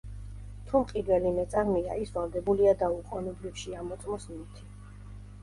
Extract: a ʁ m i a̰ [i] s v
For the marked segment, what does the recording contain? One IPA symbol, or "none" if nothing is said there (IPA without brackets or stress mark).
i